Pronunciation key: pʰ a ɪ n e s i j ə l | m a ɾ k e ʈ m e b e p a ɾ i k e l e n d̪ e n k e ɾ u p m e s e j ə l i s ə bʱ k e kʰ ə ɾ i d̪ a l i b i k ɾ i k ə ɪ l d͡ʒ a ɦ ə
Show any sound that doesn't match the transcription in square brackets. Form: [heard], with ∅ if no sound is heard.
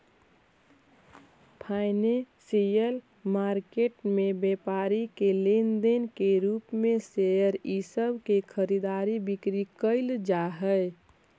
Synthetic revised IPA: pʰ a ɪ n e s i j ə l | m a ɾ k e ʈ m e b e p a ɾ i k e l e n d̪ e n k e ɾ u p m e s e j ə [ɾ] i s ə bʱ k e kʰ ə ɾ i d̪ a [ɾ] i b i k ɾ i k ə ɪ l d͡ʒ a ɦ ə